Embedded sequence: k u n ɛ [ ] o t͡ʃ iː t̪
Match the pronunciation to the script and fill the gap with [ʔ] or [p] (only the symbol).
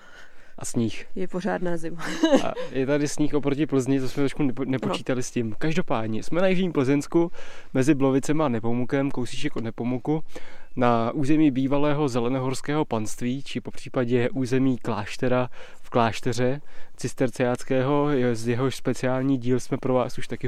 p